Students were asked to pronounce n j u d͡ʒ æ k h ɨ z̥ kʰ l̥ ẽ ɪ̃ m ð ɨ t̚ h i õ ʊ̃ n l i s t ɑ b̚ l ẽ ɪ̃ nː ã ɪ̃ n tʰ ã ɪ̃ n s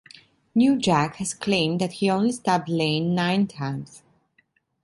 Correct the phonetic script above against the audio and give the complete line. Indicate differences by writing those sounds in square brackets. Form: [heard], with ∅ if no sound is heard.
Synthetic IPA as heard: n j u d͡ʒ æ k h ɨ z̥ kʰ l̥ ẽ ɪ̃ m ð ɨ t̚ h i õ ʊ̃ n l i s t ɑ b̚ l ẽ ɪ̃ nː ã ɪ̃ n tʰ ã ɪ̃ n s

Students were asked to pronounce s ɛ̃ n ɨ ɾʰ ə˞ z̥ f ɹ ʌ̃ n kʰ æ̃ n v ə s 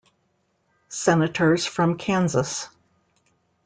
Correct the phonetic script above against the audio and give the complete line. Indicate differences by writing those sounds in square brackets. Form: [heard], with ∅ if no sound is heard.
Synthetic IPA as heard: s [ɛ] n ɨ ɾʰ ə˞ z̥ f ɹ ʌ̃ [m] kʰ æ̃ n [z] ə s

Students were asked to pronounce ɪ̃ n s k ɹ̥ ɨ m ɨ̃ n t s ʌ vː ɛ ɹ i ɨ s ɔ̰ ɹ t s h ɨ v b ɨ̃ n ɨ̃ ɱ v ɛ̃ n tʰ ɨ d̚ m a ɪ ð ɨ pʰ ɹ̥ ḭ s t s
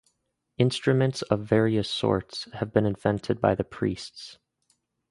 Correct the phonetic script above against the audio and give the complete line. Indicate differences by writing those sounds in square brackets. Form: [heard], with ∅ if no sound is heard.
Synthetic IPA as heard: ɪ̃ n s [t] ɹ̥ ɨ m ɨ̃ n t s ʌ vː ɛ ɹ i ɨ s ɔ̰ ɹ t s h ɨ v b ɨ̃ n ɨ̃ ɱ v ɛ̃ n tʰ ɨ d̚ [b] a ɪ ð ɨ pʰ ɹ̥ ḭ s t s

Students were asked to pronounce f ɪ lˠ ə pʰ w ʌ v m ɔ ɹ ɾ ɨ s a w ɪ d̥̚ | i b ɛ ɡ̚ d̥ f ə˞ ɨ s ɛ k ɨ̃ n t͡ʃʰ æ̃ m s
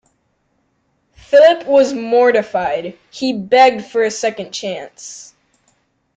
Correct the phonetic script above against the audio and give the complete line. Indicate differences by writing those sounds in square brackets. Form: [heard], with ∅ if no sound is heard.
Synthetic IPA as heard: f ɪ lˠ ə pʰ w ʌ [z] m ɔ ɹ ɾ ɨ [f] a [∅] ɪ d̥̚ | i b ɛ ɡ̚ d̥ f ə˞ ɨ s ɛ k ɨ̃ n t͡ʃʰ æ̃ [n] s

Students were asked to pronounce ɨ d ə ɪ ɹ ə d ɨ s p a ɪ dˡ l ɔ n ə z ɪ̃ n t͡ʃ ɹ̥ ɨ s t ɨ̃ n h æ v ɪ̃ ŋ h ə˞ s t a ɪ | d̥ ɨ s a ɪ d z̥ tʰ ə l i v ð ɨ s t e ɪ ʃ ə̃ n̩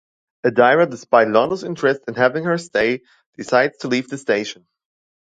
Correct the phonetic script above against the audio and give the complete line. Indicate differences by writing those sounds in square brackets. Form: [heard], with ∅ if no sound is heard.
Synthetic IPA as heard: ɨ d [a] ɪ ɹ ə d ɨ s p a ɪ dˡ l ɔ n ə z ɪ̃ n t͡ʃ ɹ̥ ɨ s t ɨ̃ n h æ v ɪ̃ ŋ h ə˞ s t [e] ɪ | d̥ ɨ s a ɪ d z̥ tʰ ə l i v ð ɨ s t e ɪ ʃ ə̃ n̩

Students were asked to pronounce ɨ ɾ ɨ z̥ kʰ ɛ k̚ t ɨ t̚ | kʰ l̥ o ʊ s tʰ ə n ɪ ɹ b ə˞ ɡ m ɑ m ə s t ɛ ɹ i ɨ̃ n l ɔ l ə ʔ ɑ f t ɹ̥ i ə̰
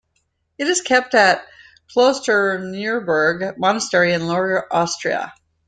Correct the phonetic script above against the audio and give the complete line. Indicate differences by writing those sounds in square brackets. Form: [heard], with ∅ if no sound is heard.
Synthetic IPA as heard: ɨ ɾ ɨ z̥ kʰ ɛ [p̚] t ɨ t̚ | kʰ l̥ o ʊ s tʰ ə n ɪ ɹ b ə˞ ɡ m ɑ [n] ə s t ɛ ɹ i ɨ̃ n l ɔ [ɹ] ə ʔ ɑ [s] t ɹ̥ i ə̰

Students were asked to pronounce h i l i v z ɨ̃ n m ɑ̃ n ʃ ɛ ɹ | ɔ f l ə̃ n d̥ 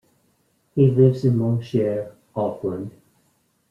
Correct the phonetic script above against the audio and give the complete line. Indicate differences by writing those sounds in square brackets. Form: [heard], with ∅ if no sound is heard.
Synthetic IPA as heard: h i l [ɪ] v z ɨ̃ n m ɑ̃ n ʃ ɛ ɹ | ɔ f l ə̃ n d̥

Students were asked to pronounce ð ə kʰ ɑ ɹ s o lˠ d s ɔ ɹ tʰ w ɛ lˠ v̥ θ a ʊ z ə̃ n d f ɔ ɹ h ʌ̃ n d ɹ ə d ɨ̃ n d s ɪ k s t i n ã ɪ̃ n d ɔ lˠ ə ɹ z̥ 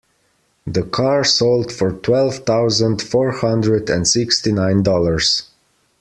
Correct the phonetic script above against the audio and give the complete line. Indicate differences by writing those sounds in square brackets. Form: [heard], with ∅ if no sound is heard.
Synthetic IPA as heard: ð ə kʰ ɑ ɹ s o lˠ d [f] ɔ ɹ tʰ w ɛ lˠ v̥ θ a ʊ z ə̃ n d f ɔ ɹ h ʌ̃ n d ɹ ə d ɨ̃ n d s ɪ k s t i n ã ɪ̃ n d ɔ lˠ ə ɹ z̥

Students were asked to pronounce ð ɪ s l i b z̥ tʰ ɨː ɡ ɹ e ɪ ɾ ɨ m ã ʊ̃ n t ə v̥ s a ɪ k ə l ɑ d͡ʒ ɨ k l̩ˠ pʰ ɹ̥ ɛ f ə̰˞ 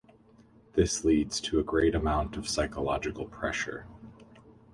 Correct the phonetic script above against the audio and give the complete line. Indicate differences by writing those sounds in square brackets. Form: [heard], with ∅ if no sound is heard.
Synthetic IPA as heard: ð ɪ s l i [d] z̥ tʰ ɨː ɡ ɹ e ɪ ɾ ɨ m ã ʊ̃ n t [ʌ] v̥ s a ɪ k ə l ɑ d͡ʒ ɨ k l̩ˠ pʰ ɹ̥ ɛ [ʃ] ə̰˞

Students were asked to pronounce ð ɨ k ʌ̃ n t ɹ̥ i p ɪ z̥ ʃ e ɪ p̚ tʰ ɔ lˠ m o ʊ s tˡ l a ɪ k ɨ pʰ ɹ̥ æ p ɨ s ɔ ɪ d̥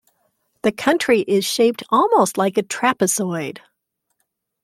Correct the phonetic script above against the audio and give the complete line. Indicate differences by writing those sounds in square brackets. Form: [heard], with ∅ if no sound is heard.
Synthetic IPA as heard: ð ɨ [kʰ] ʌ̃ n [t͡ʃ] ɹ̥ i [ʔ] ɪ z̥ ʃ e ɪ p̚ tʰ ɔ lˠ m o ʊ s tˡ l a ɪ k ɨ [tʰ] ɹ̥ æ p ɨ s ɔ ɪ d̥

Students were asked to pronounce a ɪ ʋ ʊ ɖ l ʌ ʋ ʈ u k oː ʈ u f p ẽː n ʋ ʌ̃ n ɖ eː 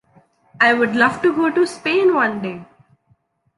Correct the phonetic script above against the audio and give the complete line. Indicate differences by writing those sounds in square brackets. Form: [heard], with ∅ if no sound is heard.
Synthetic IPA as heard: a ɪ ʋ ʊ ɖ l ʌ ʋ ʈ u [ɡ] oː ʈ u [s] p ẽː n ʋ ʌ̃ n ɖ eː

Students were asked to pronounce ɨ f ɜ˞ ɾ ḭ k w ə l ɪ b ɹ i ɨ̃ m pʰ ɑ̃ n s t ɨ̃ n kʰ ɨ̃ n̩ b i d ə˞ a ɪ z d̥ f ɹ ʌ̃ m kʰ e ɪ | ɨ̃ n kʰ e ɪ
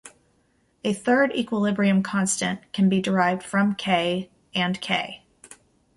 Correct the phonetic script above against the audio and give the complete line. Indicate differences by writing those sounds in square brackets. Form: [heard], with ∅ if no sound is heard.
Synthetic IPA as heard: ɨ [θ] ɜ˞ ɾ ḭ k w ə l ɪ b ɹ i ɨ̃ m [kʰ] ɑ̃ n s t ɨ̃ n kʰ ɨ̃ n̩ b i d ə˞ a ɪ [v] d̥ f ɹ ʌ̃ m kʰ e ɪ | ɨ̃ n kʰ e ɪ

